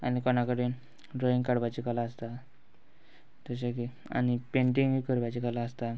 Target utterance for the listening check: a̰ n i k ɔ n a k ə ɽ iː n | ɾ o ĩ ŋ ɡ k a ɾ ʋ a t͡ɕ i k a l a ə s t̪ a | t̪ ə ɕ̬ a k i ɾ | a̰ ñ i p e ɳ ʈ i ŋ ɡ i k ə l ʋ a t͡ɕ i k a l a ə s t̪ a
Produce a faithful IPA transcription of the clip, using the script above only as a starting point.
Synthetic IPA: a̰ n i k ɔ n a k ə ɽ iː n | ɾ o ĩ ŋ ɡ k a ɽ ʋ a t͡ɕ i k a l a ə s t̪ a | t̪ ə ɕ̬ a k i | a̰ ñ i p e ɳ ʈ i ŋ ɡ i k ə ɾ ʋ a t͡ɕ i k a l a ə s t̪ a